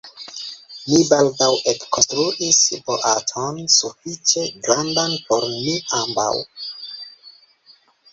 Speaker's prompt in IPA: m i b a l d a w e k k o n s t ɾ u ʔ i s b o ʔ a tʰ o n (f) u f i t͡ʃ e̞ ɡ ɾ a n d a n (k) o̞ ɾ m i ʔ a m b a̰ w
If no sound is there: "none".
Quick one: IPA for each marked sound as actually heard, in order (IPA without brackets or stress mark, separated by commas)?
s, p